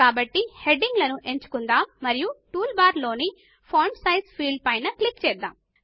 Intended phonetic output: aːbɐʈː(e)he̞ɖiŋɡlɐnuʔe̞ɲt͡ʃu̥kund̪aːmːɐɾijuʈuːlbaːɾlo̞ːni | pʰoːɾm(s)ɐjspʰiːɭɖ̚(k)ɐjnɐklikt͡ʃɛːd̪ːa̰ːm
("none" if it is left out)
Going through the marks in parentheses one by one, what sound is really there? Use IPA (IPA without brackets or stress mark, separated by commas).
i, s, p